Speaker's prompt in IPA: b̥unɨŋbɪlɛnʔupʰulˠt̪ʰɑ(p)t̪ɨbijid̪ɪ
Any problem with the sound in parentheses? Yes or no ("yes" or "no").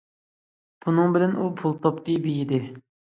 no